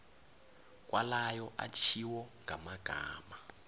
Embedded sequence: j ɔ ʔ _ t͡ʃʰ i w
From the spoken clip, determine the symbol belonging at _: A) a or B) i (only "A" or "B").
A